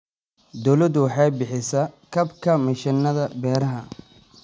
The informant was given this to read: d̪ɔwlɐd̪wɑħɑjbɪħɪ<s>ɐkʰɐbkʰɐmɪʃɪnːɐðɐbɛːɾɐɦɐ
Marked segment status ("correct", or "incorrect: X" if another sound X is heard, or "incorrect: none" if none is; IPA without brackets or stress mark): correct